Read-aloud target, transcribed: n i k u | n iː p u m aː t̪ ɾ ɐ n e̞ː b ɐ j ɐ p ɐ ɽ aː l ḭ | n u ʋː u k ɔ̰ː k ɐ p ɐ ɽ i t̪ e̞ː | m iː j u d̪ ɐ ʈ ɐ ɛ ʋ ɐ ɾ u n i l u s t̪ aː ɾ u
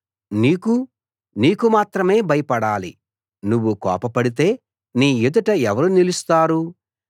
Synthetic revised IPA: n iː k u | n iː k u m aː t̪ ɾ ɐ m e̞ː b ɐ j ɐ p ɐ ɽ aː l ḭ | n u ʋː u k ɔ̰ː p ɐ p ɐ ɽ i t̪ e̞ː | n iː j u d̪ ɐ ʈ ɐ ɛ ʋ ɐ ɾ u n i l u s t̪ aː ɾ u